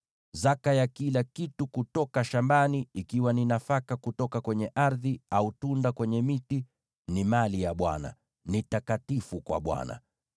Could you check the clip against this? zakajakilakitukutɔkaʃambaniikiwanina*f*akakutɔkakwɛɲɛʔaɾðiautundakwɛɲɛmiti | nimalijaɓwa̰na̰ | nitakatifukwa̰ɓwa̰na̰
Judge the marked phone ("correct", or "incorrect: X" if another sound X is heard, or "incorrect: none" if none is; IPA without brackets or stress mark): correct